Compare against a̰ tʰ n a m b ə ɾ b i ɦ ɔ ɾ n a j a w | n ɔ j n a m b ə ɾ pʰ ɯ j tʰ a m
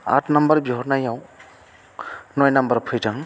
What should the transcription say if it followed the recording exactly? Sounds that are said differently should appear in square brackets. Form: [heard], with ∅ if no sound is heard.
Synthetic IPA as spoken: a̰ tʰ n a m b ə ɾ b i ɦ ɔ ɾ n a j a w | n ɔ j n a m b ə ɾ pʰ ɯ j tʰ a [ŋ]